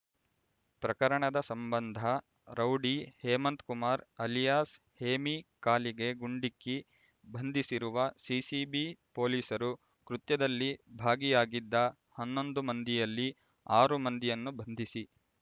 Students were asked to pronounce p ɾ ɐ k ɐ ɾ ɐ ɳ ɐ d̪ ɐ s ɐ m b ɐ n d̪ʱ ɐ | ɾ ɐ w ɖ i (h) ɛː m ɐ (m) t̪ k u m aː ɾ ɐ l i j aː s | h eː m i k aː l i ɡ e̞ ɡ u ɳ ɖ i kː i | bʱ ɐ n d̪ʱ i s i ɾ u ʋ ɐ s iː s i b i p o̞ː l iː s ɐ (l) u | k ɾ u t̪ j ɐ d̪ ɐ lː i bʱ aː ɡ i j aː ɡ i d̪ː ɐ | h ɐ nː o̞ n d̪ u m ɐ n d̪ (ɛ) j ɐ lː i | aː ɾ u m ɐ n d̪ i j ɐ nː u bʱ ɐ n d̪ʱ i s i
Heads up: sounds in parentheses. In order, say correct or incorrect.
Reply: correct, incorrect: n, incorrect: ɾ, incorrect: i

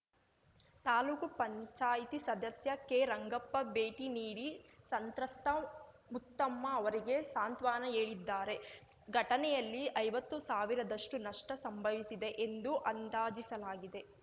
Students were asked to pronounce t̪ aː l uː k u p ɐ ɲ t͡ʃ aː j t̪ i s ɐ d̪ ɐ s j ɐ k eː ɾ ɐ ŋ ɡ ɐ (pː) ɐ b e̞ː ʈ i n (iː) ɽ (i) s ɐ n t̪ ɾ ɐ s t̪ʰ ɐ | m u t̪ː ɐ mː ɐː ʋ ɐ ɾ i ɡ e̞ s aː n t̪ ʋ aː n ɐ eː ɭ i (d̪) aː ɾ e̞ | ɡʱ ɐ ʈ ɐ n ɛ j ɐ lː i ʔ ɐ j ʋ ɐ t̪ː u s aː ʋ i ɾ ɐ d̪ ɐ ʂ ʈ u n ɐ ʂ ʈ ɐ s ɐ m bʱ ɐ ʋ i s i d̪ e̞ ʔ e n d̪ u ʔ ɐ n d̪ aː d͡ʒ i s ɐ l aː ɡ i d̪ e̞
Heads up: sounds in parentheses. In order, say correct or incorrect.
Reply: correct, correct, correct, incorrect: d̪ː

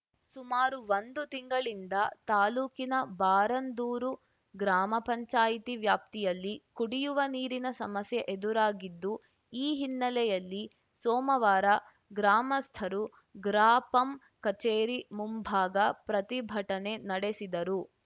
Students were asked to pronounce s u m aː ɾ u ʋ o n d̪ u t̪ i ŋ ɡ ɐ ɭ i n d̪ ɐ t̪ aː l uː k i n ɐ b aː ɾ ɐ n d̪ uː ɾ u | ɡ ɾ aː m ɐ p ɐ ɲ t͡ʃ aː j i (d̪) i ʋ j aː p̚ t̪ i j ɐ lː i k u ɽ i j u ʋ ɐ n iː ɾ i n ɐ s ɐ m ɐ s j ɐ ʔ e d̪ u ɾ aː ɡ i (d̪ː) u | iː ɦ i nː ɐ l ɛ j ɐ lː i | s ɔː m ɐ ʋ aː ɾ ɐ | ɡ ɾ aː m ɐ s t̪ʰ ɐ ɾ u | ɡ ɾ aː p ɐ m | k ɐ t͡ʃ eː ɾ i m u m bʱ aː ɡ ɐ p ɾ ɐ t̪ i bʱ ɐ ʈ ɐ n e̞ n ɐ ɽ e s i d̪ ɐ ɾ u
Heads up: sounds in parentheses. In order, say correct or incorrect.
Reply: incorrect: t̪, correct

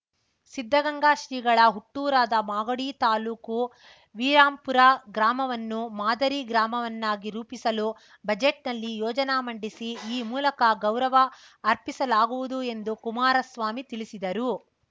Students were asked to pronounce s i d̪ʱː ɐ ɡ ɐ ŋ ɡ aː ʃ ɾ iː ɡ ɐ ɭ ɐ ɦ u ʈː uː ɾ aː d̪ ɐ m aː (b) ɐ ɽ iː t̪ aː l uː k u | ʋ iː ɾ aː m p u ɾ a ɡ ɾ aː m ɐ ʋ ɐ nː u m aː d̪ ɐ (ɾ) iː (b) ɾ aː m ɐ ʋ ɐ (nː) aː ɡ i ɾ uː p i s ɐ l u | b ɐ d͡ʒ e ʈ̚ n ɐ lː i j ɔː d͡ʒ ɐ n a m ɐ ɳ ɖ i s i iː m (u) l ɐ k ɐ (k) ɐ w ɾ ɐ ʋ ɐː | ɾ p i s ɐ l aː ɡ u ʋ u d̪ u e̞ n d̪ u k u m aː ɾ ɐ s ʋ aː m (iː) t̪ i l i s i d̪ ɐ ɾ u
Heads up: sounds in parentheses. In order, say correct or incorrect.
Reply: incorrect: ɡ, correct, incorrect: ɡ, correct, incorrect: uː, incorrect: ɡ, incorrect: i

